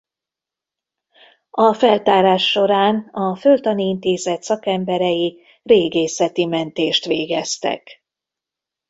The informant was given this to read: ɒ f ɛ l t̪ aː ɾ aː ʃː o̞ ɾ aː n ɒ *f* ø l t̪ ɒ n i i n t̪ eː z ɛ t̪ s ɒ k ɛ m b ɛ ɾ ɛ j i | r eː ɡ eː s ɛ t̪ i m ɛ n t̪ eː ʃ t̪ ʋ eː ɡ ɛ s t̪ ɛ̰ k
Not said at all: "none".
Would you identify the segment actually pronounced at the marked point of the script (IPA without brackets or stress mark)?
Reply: f